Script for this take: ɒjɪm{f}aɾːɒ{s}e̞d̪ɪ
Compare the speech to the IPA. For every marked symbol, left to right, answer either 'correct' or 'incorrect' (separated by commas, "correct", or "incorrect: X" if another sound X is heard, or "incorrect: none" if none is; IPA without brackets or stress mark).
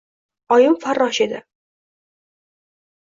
correct, incorrect: ʃ